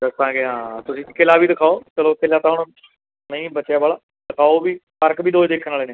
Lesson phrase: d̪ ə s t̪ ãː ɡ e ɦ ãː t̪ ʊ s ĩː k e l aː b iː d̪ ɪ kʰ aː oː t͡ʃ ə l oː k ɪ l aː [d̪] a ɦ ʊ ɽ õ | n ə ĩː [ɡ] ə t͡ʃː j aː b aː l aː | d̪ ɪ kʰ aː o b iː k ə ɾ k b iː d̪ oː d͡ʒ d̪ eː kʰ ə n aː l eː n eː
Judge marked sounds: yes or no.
no, no

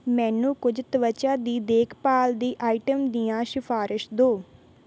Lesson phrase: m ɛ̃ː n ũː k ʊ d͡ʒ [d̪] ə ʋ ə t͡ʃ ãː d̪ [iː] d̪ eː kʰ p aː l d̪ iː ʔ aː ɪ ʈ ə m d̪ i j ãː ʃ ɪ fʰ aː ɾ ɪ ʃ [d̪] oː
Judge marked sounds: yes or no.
no, yes, yes

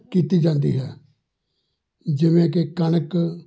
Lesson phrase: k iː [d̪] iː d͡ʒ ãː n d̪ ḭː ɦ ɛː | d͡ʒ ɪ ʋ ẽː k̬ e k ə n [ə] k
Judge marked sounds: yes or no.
no, yes

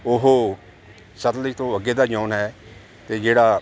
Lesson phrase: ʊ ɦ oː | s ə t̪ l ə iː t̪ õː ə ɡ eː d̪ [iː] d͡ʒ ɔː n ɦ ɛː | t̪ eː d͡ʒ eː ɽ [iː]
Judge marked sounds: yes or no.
no, no

